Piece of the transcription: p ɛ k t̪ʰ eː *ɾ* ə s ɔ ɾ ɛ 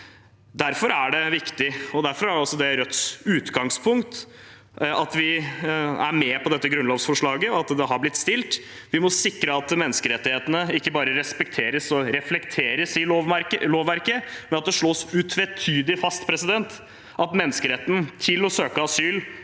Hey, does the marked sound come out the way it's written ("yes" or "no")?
yes